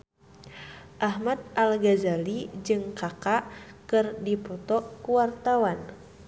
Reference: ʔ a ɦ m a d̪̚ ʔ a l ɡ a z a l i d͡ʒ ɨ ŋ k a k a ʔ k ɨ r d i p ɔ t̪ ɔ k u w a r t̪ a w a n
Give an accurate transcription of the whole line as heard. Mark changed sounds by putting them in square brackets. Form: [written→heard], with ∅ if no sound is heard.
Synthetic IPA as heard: ʔ a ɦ m a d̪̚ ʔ a l ɡ a z a l i d͡ʒ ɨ ŋ k a k a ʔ k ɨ r d i p ɔ t̪ ɔ k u w a r t̪ a w a n